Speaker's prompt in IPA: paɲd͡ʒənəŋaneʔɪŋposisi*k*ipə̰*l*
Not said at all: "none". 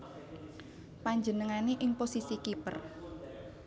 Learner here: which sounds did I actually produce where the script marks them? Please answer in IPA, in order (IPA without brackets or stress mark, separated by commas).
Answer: k, r